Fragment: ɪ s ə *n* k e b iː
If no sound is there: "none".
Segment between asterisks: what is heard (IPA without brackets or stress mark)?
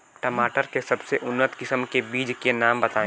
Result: m